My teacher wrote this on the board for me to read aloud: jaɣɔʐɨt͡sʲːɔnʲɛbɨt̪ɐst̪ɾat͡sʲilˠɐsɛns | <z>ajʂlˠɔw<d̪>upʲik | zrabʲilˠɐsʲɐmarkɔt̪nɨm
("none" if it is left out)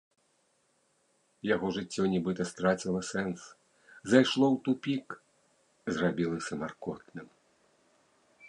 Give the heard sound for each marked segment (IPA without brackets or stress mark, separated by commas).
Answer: z, t̪